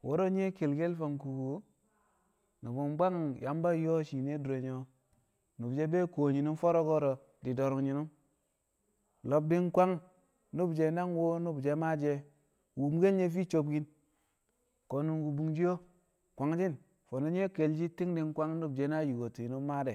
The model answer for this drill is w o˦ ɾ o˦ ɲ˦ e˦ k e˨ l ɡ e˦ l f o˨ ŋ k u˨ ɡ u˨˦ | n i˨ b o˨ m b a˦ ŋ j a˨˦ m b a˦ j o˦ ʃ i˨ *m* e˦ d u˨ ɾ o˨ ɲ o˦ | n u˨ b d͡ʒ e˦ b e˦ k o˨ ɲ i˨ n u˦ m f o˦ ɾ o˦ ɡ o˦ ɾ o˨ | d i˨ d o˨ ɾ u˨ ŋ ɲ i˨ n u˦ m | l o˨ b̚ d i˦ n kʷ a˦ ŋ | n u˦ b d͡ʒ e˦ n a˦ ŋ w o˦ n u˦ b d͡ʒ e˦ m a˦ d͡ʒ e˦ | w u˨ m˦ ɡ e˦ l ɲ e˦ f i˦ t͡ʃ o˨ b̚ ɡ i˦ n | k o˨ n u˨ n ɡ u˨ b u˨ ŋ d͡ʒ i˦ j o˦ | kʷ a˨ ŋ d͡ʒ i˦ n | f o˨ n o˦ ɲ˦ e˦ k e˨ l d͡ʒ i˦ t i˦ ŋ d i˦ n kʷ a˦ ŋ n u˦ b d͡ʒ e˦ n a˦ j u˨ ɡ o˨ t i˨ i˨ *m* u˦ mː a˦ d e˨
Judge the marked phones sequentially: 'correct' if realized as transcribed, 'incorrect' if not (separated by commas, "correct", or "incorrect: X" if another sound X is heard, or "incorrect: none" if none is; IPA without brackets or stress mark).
incorrect: n, incorrect: n